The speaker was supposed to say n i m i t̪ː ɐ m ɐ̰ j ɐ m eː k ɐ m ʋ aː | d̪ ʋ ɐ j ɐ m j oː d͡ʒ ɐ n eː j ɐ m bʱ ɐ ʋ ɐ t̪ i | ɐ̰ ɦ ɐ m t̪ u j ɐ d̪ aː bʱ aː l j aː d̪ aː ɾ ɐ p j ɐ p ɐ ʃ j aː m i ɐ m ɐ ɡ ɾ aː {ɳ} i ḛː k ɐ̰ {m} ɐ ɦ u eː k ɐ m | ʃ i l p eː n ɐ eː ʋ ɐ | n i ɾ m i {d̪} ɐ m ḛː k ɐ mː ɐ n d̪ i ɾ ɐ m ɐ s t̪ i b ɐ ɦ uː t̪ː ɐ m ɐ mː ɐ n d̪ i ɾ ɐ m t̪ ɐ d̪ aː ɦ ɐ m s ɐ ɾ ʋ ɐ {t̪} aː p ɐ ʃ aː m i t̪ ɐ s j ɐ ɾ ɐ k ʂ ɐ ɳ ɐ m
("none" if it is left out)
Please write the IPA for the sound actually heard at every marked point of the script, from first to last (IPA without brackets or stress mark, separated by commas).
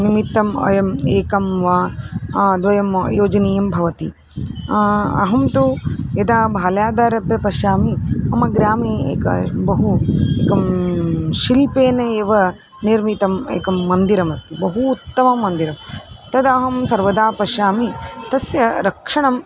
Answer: m, b, t̪, d̪